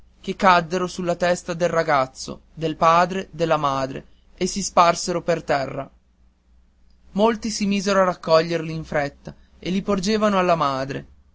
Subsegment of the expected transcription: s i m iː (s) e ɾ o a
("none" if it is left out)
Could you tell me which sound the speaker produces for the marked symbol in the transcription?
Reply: z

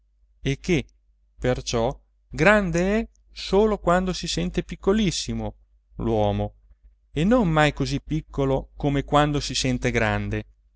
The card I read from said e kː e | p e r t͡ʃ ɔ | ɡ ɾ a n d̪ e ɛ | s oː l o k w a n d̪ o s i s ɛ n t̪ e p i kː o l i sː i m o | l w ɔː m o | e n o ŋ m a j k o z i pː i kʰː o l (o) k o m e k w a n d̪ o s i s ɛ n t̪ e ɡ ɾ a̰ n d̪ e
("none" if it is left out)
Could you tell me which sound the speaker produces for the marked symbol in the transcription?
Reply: o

